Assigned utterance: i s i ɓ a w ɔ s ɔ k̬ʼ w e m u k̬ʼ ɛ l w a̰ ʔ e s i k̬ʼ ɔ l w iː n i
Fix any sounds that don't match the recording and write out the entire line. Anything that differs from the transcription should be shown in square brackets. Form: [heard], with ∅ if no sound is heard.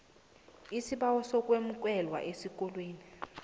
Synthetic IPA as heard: i s i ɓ a w ɔ s ɔ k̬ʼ w e m u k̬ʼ ɛ l w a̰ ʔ e s i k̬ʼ ɔ l w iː n i